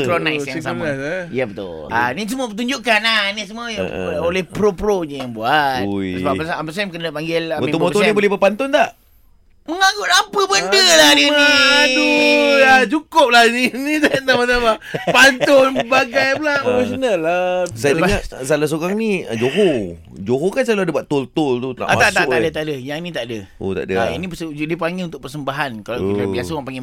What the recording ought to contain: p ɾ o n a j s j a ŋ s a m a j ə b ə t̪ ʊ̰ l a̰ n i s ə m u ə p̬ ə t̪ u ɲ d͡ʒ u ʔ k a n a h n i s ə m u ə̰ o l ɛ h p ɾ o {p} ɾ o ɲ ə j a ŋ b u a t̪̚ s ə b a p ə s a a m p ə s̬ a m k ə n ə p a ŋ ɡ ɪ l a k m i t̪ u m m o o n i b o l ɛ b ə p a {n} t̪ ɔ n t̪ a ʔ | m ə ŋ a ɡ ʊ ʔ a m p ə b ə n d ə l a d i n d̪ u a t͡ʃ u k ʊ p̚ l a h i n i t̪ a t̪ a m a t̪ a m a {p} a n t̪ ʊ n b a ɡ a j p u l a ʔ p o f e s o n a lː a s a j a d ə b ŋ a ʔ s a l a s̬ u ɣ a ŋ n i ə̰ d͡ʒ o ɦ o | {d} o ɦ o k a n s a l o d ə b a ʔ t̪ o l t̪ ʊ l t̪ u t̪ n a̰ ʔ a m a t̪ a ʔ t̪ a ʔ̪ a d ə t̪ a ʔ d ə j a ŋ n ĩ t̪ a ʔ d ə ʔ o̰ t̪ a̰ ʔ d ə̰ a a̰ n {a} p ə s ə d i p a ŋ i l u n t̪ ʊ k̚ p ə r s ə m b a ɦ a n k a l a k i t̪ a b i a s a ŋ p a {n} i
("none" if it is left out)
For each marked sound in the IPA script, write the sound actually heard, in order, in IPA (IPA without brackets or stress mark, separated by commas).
p, n, p, d͡ʒ, i, ŋ